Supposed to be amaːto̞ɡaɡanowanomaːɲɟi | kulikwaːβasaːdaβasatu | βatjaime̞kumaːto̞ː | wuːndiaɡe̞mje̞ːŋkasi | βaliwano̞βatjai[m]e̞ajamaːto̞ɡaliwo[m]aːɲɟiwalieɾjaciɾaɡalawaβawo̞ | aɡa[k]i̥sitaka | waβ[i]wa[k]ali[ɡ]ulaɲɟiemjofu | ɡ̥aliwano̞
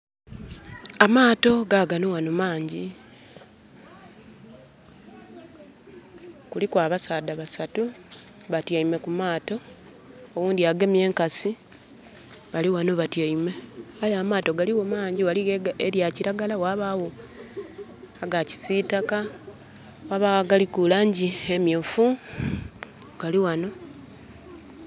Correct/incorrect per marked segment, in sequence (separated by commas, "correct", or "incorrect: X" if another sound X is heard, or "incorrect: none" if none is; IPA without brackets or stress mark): correct, correct, incorrect: c, incorrect: a, incorrect: ɡ, incorrect: k